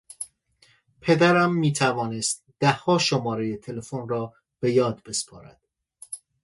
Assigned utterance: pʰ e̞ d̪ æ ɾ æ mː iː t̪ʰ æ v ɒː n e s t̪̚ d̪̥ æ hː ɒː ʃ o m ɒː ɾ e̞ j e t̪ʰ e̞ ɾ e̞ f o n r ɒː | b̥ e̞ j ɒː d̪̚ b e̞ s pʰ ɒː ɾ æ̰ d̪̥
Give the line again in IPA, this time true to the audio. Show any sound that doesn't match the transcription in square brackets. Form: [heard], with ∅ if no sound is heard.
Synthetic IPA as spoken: pʰ e̞ d̪ æ ɾ æ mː iː t̪ʰ æ v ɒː n e s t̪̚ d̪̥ æ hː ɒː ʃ o m ɒː ɾ e̞ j e t̪ʰ e̞ [l] e̞ f o n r ɒː | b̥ e̞ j ɒː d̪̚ b e̞ s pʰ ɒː ɾ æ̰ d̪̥